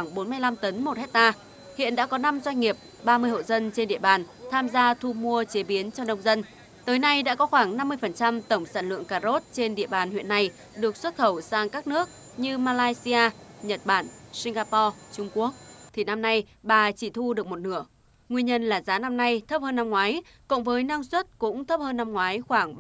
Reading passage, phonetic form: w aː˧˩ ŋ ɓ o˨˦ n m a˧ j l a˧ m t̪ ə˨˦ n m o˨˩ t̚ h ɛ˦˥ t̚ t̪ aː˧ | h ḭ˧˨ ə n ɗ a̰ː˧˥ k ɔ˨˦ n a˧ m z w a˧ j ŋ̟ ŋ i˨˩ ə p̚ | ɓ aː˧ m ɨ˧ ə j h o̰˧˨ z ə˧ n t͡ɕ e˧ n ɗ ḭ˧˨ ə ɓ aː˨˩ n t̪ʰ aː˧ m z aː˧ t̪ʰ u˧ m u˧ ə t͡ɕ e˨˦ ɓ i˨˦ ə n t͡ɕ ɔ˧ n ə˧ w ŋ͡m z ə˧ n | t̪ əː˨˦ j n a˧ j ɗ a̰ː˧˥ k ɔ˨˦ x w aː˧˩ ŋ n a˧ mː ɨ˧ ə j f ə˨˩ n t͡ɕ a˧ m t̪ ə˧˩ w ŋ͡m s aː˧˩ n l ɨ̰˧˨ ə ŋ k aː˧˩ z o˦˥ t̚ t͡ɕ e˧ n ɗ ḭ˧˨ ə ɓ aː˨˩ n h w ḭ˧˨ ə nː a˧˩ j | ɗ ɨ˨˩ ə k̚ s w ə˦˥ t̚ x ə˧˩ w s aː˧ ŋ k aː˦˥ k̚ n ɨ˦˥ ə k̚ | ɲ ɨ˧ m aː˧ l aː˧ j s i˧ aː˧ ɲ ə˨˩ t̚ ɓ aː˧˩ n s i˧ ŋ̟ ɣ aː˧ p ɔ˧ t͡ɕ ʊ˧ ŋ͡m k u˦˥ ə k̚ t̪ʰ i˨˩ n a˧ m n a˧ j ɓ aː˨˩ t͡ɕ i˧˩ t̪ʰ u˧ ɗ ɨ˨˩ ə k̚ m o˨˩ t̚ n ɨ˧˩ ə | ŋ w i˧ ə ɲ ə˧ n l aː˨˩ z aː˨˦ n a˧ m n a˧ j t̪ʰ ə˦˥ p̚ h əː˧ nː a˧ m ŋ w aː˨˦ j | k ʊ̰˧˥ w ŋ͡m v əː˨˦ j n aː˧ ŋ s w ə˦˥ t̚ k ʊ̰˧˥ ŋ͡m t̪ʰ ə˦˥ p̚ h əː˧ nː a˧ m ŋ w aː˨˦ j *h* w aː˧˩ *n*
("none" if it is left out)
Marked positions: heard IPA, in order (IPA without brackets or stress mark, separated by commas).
x, ŋ